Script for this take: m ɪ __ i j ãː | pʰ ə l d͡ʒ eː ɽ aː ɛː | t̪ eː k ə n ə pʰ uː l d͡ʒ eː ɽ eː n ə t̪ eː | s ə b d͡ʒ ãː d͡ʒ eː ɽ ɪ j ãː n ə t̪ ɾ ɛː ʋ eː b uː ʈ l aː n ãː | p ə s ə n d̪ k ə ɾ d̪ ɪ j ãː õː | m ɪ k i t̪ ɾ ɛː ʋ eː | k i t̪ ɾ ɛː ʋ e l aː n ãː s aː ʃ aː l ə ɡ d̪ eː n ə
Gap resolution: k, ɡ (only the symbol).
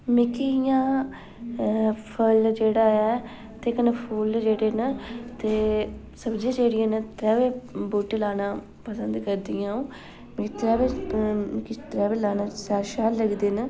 k